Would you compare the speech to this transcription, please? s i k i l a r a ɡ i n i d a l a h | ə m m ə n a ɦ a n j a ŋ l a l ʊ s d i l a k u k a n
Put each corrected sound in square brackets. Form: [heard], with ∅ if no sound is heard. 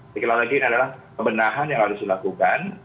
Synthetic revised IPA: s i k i l a [l] a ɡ i n [a] d a l a h | ə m [b] ə n a ɦ a n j a ŋ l a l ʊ s d i l a k u k a n